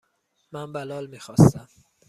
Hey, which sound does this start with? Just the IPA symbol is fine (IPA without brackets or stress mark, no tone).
m